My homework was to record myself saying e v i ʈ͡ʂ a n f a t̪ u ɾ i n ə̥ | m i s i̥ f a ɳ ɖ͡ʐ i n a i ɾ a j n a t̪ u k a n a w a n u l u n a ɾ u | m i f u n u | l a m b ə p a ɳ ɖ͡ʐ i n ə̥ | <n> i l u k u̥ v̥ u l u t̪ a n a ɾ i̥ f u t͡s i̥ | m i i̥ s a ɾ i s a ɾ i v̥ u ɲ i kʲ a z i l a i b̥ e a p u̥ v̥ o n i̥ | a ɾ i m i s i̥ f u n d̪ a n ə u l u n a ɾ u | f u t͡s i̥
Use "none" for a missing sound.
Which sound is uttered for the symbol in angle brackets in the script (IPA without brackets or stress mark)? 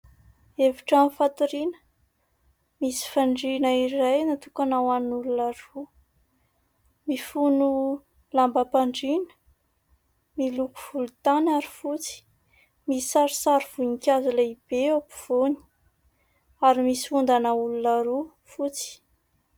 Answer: m